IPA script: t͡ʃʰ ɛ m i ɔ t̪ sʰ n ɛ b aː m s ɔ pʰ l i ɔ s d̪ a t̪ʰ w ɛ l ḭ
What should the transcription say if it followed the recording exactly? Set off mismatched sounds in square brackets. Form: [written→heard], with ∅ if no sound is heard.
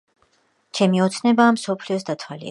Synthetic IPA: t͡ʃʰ ɛ m i ɔ t̪ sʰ n ɛ b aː m s ɔ pʰ l i ɔ s d̪ a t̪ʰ w [ɛ→a] l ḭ